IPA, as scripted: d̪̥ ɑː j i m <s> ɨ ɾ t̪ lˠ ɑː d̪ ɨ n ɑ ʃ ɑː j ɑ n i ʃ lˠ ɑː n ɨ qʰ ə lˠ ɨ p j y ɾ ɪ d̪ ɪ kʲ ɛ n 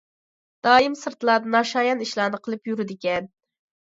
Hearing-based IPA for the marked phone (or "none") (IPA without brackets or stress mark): s